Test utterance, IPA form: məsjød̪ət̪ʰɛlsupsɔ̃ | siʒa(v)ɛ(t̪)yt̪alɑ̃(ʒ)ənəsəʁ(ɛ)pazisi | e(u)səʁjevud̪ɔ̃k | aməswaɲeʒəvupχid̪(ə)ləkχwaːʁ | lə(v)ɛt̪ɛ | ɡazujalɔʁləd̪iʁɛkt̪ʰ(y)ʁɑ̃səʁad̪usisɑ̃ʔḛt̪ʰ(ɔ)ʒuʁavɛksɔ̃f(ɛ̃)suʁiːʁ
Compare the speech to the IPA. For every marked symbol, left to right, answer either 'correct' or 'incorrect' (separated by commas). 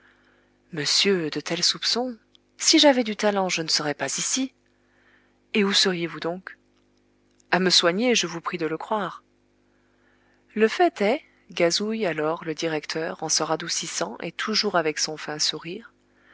correct, incorrect, correct, correct, correct, correct, incorrect, incorrect, incorrect, correct